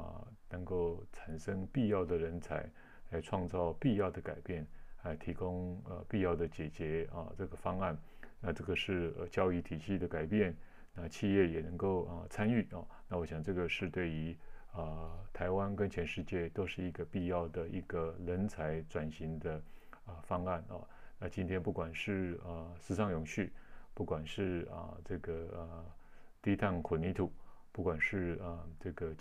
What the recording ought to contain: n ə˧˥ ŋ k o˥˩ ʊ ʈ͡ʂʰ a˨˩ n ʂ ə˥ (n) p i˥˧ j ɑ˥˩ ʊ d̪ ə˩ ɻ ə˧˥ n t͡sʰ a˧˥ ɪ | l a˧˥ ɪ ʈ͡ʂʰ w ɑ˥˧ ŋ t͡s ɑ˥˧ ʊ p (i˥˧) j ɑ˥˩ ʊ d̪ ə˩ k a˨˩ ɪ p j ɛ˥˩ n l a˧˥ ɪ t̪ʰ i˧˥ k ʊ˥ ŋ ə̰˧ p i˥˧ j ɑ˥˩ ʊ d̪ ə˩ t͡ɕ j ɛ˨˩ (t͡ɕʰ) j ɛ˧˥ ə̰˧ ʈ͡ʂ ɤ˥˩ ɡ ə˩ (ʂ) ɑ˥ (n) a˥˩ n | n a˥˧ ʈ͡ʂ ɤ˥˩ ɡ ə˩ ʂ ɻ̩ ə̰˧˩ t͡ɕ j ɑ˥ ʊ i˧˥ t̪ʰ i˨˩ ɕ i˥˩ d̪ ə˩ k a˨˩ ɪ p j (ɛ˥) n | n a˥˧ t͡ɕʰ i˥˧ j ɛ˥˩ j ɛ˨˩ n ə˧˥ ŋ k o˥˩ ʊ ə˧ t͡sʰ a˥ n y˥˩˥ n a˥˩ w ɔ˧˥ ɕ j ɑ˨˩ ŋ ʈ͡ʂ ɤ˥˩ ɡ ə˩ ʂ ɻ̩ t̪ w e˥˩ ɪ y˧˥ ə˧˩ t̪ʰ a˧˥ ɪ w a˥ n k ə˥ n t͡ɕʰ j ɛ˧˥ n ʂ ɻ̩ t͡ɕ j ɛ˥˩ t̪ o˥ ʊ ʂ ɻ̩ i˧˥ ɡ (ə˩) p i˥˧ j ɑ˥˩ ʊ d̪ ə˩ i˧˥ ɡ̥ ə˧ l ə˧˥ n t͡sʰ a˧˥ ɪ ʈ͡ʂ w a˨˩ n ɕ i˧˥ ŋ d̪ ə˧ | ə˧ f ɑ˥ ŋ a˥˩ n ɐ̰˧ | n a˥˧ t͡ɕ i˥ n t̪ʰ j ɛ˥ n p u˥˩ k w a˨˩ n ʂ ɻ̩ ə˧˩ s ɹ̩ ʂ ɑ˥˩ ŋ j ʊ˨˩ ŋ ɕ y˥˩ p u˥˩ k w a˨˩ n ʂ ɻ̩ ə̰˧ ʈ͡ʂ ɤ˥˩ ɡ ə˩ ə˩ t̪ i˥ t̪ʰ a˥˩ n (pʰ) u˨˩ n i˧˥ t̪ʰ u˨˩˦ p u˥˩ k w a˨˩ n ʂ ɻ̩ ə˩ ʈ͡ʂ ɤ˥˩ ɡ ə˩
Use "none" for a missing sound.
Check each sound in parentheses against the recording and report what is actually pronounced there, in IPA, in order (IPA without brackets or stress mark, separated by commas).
ŋ, i˥˧, t͡ɕ, f, ŋ, ɛ˥˩, ə˧, kʰ